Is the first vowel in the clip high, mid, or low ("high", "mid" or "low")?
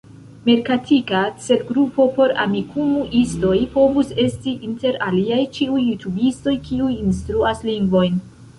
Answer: mid